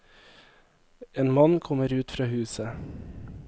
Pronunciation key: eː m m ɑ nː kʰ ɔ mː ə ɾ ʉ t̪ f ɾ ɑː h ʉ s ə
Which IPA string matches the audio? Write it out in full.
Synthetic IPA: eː n m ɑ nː kʰ ɔ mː ə ɾ ʉː t̪ f ɾ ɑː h ʉː s ə